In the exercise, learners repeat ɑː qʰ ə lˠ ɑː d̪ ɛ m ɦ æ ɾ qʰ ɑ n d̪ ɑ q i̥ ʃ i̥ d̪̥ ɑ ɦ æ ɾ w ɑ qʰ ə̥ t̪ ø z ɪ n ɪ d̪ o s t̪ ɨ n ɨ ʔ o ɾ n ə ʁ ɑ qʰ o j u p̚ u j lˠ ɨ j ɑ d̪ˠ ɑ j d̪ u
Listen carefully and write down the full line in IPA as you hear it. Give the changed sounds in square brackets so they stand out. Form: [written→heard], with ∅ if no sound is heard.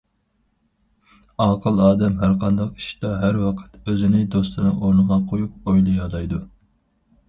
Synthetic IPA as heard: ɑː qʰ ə lˠ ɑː d̪ ɛ m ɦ æ ɾ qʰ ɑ n d̪ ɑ q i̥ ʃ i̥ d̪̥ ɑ ɦ æ ɾ w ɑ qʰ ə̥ t̪ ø z ɪ n ɪ d̪ o s t̪ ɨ n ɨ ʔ o ɾ n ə ʁ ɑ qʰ o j u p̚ [u→o] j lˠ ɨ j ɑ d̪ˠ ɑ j d̪ u